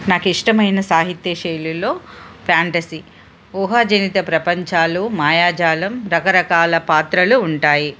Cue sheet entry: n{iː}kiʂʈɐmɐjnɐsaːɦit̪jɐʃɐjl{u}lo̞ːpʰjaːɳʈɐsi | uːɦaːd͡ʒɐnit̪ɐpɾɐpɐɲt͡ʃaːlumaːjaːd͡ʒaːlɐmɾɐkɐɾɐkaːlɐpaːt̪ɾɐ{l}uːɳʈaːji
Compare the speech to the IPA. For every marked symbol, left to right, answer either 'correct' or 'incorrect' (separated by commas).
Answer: incorrect, correct, correct